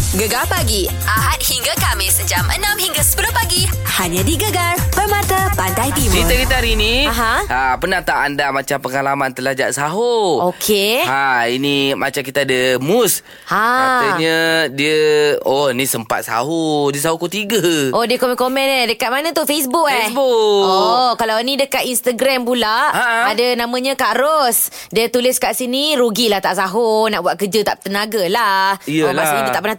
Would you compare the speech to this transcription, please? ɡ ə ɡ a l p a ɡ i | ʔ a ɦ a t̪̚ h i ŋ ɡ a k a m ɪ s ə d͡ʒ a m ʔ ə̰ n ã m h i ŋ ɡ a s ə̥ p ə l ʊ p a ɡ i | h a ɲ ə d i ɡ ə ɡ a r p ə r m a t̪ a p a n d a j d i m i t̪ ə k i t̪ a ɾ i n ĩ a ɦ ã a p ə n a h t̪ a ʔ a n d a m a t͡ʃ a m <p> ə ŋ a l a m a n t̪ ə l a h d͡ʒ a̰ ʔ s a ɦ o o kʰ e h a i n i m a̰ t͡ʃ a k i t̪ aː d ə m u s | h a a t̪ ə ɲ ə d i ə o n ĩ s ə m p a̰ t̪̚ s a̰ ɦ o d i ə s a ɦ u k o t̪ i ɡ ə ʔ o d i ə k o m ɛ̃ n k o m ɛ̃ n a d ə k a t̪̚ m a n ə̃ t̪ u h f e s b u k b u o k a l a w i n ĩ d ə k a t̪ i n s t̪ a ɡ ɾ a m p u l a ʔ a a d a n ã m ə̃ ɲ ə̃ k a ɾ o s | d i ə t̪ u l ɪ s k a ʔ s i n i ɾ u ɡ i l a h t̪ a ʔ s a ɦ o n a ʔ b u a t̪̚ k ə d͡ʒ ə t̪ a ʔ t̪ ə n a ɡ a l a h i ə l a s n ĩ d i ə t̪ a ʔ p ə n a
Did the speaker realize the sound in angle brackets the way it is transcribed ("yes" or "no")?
yes